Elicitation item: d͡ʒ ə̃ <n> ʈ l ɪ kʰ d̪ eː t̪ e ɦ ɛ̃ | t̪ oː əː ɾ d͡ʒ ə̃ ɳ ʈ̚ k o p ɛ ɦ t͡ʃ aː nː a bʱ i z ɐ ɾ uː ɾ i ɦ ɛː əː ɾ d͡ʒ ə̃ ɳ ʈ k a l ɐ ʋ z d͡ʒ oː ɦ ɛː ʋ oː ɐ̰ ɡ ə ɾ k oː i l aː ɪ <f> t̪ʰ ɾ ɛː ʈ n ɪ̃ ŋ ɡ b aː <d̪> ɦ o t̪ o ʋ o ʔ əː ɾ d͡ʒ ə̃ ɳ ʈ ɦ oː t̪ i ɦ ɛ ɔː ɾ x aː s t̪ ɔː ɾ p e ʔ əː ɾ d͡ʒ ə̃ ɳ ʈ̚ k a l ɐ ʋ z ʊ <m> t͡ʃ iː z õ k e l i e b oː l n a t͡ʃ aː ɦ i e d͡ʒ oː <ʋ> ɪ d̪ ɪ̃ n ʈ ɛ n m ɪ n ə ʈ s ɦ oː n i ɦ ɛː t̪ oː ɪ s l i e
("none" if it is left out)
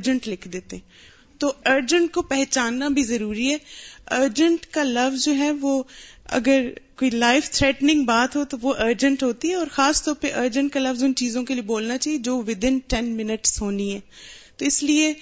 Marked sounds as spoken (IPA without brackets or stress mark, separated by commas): ɳ, f, t̪, n, ʋ